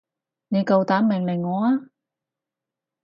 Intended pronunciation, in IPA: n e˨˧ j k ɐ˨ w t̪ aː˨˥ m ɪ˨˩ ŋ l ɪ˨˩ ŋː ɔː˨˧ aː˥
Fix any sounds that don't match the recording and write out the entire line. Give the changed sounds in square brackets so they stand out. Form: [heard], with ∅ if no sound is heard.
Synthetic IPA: n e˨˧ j k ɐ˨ w t̪ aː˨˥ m ɪ˨˩ ŋ l ɪ˨˩ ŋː ɔː˨˧ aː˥